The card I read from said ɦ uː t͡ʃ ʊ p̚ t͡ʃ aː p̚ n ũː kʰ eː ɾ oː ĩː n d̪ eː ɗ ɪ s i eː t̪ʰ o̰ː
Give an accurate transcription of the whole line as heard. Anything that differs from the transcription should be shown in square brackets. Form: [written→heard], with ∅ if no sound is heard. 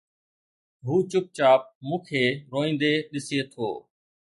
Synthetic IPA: ɦ uː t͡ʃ ʊ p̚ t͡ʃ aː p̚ [n→m] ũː kʰ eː ɾ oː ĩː n d̪ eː ɗ ɪ s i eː t̪ʰ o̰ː